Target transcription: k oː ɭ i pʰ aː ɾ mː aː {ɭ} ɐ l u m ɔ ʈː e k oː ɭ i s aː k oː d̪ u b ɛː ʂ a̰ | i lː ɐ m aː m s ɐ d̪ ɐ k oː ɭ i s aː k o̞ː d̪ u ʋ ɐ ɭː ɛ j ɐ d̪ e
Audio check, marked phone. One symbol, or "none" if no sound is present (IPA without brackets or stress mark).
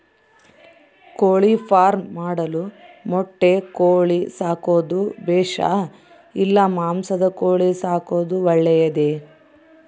ɽ